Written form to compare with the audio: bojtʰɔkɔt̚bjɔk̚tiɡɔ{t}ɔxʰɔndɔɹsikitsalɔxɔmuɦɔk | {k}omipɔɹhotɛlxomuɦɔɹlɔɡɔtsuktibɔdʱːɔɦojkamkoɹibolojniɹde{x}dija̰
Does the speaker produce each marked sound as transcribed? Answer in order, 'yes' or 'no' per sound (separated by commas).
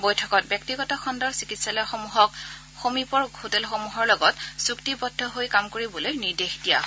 yes, no, yes